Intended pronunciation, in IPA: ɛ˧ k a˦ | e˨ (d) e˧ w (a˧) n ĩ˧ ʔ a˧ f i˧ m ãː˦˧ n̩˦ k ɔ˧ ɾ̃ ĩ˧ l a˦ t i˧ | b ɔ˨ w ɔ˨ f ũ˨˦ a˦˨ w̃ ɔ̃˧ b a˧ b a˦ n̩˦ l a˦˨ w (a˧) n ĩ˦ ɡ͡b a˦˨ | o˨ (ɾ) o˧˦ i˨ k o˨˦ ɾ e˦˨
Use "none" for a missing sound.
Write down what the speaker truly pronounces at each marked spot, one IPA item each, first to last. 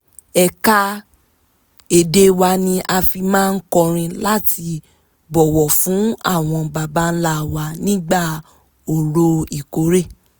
d, a˧, a˧, ɾ

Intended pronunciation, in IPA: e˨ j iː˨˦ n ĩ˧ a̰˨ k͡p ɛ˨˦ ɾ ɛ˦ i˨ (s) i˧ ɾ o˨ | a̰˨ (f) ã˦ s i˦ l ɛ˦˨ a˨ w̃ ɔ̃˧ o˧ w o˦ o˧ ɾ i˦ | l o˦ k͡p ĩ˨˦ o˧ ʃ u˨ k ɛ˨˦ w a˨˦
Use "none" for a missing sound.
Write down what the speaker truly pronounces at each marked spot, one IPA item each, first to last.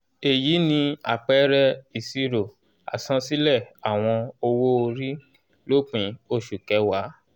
s, s

